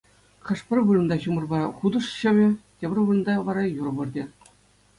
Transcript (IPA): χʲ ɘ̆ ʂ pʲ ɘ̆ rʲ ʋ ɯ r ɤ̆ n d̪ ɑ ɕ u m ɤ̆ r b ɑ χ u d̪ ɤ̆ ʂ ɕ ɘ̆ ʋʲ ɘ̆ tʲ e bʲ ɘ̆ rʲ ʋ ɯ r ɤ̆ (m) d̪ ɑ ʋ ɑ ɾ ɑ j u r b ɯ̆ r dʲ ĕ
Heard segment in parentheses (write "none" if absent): n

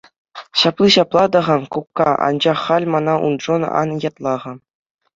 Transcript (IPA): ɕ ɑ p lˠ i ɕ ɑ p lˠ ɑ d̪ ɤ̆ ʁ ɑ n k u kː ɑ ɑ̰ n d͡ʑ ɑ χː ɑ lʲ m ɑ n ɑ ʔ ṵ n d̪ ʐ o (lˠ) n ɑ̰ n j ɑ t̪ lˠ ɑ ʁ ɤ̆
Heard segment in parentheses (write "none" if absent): none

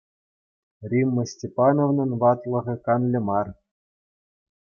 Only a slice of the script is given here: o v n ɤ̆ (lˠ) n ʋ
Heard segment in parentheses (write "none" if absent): none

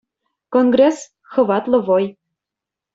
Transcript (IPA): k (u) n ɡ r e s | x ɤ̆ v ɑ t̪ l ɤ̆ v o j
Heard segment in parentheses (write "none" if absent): o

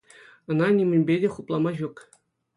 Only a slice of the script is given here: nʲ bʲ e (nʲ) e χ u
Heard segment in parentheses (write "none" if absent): dʲ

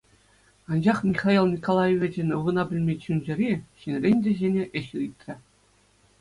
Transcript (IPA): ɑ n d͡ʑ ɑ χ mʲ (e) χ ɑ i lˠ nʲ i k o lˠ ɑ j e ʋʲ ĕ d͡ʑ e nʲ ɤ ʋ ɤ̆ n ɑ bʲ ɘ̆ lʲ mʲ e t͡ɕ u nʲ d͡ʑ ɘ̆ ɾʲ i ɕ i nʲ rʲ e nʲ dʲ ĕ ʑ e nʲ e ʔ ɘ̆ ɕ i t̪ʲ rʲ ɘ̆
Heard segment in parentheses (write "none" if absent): i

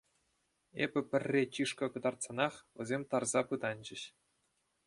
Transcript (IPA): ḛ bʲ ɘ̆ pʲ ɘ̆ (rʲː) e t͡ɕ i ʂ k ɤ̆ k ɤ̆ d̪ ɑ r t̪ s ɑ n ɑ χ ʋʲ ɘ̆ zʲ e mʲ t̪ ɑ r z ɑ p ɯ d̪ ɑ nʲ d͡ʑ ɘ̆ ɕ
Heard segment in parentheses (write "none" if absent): rʲː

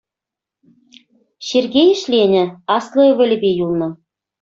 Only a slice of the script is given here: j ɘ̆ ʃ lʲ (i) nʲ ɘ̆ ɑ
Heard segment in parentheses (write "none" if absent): e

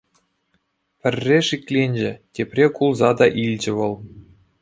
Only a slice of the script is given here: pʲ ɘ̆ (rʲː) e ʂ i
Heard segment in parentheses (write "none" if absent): rʲː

